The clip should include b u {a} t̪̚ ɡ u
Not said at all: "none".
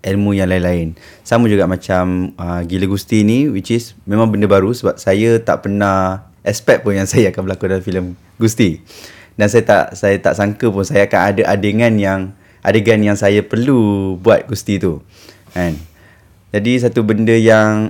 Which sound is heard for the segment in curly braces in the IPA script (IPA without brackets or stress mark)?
a